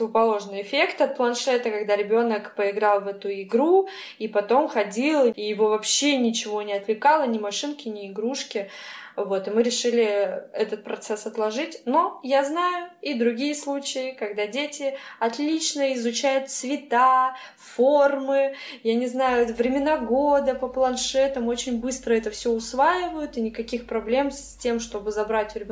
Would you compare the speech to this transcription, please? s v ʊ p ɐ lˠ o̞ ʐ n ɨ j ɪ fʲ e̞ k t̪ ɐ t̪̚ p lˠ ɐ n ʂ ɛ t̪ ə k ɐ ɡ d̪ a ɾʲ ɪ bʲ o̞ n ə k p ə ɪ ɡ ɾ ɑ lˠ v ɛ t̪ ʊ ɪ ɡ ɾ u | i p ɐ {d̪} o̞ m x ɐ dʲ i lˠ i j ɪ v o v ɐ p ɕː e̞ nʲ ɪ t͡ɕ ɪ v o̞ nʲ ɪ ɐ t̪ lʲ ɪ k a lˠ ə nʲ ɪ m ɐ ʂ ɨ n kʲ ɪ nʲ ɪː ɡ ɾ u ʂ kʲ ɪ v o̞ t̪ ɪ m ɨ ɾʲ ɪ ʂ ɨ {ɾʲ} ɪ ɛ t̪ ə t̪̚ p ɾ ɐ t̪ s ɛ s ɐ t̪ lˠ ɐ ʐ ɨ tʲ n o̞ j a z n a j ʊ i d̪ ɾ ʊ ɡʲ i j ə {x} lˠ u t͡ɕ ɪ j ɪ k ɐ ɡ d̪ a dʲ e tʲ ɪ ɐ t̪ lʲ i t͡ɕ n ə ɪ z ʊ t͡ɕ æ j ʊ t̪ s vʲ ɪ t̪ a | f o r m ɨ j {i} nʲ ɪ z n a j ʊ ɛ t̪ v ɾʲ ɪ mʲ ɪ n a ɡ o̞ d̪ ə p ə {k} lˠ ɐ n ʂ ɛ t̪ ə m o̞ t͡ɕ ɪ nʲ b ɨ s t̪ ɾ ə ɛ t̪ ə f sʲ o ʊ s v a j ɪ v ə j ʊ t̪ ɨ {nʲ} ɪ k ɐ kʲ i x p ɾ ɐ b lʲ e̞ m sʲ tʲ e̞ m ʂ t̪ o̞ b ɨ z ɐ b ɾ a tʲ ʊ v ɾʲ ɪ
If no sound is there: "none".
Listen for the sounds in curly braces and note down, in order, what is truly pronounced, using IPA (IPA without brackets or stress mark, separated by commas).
t̪, lʲ, s, a, p, nʲ